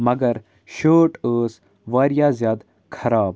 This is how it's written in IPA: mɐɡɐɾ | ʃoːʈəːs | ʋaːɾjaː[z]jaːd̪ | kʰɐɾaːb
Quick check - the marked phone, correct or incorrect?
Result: correct